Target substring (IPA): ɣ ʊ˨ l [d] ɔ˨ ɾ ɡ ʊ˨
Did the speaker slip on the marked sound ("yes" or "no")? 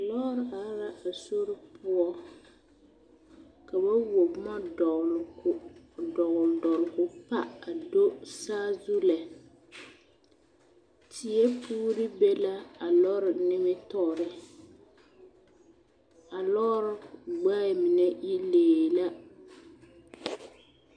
no